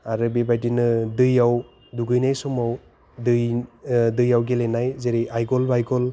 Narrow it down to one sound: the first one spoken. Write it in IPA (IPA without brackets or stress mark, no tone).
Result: a